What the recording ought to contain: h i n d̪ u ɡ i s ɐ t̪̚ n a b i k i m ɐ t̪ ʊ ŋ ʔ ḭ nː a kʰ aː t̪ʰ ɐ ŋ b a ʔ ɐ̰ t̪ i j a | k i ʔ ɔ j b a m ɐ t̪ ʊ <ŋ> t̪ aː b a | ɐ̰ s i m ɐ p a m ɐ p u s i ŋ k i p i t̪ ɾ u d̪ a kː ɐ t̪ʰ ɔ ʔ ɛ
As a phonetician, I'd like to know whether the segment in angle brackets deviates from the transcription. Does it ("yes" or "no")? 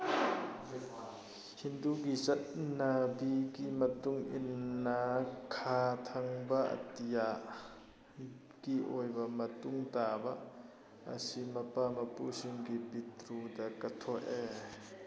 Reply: no